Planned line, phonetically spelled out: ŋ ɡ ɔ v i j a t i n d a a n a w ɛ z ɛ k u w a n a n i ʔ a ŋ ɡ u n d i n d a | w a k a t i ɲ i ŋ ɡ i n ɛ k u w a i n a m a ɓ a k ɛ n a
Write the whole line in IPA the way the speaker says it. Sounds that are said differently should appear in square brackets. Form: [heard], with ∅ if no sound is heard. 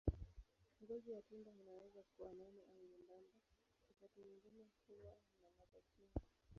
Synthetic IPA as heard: ŋ ɡ ɔ [z] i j a t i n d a [i] n a w ɛ z [a] k u w a n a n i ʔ a ŋ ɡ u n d [a] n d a | w a k a t i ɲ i ŋ ɡ i n ɛ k u w a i n a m a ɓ a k [i] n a